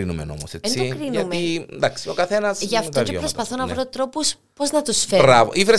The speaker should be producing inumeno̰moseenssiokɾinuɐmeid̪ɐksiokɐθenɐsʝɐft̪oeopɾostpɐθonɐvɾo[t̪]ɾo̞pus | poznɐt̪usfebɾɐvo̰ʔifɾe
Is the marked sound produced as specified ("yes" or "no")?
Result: yes